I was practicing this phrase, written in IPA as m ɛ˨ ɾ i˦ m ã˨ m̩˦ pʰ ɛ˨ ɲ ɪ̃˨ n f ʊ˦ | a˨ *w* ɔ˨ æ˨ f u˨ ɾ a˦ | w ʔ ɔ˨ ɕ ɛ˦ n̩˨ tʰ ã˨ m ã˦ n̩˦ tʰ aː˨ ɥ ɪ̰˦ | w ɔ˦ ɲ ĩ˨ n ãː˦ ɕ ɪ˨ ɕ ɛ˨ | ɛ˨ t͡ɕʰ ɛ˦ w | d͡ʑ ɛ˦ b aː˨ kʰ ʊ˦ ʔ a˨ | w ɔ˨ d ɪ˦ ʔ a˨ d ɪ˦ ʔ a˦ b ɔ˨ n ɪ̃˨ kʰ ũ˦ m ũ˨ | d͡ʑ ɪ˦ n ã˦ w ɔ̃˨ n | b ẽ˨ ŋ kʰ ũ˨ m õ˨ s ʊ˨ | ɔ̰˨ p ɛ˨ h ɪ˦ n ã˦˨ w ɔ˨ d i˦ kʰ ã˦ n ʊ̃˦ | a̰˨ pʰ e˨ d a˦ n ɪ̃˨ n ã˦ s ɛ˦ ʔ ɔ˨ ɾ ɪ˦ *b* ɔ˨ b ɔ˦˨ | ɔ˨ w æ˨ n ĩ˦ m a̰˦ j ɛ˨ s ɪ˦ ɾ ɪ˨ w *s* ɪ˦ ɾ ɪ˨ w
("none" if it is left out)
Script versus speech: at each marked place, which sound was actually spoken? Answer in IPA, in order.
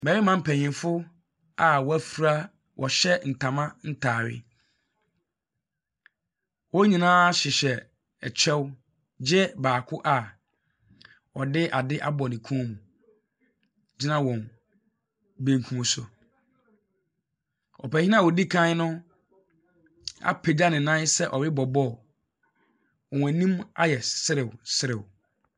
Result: w, b, s

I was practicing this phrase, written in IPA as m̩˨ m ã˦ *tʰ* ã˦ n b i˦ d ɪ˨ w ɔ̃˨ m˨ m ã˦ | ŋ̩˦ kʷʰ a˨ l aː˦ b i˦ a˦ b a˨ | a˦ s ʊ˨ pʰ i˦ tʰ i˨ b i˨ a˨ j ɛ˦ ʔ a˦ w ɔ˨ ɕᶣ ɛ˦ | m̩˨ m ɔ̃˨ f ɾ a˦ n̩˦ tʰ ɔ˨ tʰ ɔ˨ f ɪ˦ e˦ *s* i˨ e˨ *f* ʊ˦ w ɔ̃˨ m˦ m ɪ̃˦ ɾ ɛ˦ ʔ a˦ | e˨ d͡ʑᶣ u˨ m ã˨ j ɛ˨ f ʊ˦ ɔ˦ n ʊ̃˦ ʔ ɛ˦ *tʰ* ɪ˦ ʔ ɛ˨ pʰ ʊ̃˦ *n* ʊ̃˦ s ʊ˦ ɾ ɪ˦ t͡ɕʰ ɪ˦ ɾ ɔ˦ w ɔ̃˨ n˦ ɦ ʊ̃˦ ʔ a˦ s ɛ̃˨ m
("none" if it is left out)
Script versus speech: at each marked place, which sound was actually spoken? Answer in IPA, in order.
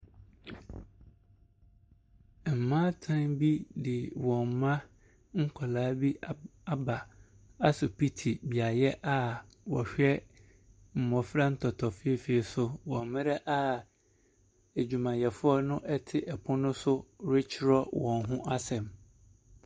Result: tʰ, f, s, tʰ, n

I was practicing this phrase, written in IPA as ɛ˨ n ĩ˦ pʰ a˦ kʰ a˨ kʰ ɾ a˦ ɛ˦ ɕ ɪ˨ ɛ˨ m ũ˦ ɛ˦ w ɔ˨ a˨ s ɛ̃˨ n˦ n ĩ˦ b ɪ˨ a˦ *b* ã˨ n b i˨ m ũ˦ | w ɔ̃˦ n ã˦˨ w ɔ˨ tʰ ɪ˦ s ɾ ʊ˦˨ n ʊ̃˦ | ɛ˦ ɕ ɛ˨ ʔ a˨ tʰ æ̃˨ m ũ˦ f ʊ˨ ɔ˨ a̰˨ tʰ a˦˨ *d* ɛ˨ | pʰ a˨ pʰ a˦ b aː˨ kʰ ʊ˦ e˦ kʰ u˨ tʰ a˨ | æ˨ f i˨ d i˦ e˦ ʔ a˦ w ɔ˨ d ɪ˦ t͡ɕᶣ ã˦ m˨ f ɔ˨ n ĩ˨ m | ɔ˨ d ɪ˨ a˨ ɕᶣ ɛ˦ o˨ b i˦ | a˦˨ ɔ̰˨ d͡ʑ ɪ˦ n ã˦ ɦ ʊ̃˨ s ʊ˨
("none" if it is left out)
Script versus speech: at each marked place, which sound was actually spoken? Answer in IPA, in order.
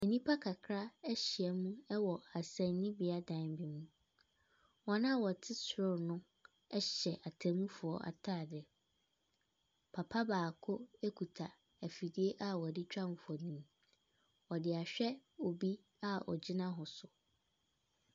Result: d, d

